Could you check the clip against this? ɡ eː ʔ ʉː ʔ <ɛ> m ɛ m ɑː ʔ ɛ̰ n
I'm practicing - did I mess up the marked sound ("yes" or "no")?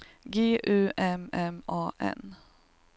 no